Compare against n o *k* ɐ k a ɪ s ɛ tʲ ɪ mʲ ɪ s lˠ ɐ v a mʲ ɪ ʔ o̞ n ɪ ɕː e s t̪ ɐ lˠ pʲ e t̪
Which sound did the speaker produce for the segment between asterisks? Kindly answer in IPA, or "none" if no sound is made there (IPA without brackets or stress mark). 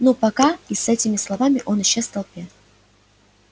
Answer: p